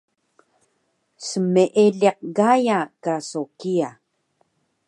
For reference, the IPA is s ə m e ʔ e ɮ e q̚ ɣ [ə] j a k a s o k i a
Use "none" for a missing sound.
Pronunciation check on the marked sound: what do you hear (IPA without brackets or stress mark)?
a